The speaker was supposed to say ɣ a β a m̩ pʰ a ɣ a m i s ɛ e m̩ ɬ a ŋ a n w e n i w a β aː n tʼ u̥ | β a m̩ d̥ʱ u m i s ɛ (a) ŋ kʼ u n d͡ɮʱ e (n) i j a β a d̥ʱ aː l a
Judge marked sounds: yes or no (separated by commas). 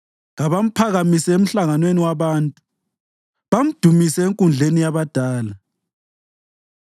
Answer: no, yes